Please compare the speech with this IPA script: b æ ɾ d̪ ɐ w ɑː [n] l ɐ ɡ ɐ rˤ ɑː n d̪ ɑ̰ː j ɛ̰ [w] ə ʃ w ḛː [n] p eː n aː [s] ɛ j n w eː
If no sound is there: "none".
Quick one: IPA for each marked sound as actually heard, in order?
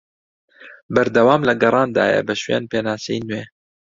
m, b, n, s

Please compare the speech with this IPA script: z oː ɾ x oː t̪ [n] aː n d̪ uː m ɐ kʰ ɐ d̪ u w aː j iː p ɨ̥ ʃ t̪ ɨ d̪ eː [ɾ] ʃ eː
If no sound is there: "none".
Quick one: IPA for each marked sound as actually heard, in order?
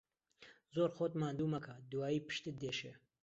m, none

